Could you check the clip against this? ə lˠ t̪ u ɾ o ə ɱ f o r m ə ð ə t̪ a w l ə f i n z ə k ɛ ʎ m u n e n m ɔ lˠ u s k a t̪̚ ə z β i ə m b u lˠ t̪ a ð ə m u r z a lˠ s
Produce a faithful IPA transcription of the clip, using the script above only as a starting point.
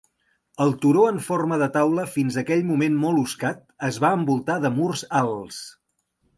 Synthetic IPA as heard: ə lˠ t̪ u ɾ o ə ɱ f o r m ə ð ə t̪ a w l ə f i n z ə k ɛ ʎ m u m e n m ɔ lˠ u s k a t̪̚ ə z β a ə m b u lˠ t̪ a ð ə m u r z a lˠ s